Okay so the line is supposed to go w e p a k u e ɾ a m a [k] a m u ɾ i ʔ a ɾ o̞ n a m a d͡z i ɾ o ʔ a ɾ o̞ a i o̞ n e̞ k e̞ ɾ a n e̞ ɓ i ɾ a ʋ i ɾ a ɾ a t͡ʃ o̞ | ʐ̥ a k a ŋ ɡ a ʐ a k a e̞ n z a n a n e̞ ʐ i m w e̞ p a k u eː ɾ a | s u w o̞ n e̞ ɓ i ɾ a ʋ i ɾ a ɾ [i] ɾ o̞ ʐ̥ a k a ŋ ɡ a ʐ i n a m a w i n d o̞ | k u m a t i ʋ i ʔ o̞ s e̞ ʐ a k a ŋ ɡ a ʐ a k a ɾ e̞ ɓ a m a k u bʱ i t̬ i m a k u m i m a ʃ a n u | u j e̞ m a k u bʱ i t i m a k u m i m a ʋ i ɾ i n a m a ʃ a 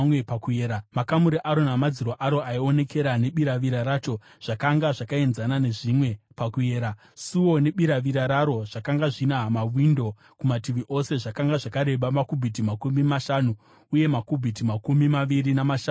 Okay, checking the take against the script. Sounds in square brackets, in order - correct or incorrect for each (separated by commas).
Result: correct, incorrect